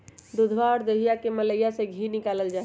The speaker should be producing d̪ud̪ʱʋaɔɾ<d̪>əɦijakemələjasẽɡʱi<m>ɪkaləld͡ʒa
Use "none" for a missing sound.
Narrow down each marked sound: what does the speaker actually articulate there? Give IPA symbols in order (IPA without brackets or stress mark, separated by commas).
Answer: d̪, n